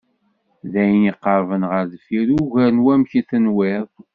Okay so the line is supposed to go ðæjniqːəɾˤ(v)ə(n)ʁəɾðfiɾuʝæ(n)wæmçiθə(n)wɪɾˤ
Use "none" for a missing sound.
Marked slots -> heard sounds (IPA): v, n, n, n

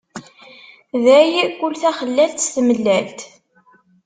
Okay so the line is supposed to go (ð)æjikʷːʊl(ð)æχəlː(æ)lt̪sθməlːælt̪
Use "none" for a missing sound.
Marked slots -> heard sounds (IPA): ð, θ, æ

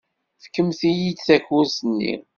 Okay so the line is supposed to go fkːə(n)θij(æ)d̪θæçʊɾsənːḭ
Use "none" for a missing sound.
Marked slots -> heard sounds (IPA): m, i

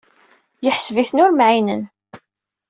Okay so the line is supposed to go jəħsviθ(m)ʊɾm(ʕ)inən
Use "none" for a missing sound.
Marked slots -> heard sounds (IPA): n, ʕ

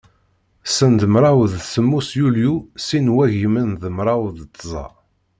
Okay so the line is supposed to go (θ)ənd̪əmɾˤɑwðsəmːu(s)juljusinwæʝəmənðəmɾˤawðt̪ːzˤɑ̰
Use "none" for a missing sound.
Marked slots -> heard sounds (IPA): s, s

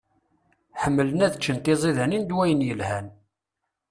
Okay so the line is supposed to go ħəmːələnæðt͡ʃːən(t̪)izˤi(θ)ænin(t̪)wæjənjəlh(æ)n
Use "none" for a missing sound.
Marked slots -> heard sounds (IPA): t̪, ð, d̪, æ

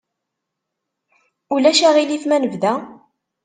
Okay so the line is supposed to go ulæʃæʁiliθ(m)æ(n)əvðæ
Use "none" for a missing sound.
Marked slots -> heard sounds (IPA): m, n

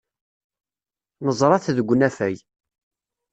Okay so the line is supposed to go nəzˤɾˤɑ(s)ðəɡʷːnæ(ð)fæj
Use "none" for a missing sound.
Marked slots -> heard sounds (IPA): θ, none

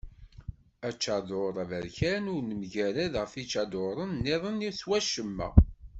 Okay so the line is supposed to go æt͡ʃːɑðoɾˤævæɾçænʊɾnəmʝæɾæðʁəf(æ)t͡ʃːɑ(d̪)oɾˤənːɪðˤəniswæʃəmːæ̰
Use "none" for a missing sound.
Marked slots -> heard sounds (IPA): i, d̪

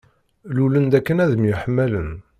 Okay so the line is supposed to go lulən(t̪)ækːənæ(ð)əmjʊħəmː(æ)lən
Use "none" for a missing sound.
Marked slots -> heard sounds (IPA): d̪, ð, æ

